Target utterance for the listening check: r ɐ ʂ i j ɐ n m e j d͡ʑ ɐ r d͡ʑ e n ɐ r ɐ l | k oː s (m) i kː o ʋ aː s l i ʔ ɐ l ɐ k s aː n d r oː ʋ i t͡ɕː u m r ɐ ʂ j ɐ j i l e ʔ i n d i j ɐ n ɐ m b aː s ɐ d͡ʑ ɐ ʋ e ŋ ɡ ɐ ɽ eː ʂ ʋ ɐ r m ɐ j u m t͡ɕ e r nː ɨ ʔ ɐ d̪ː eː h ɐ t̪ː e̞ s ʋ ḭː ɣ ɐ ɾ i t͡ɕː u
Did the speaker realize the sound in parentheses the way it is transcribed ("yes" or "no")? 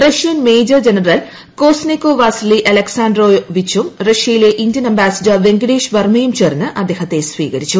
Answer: no